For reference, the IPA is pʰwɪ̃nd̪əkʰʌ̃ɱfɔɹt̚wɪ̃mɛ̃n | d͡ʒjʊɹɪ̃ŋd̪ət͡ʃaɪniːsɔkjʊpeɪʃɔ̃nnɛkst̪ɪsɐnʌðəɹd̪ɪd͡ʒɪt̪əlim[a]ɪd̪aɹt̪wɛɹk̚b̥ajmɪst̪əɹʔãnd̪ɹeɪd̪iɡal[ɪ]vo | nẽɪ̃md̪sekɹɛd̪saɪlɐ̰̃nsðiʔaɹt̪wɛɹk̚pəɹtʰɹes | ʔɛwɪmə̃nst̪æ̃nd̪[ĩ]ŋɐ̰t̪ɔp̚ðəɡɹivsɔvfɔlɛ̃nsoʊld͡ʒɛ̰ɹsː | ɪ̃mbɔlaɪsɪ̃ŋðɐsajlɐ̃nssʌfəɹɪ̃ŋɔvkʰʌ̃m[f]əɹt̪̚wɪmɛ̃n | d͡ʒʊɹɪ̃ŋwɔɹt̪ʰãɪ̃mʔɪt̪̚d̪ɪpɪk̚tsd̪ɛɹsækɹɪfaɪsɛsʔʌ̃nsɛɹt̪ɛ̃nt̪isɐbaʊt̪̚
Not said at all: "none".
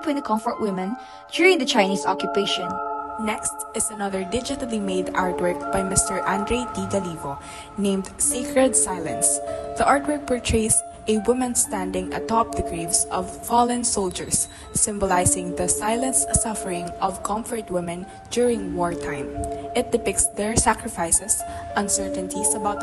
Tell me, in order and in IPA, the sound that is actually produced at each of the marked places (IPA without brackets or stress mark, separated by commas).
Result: e, i, ɪ̃, f